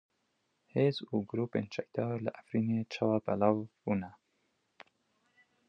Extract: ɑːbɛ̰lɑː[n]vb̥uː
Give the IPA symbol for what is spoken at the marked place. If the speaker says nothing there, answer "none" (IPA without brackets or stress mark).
none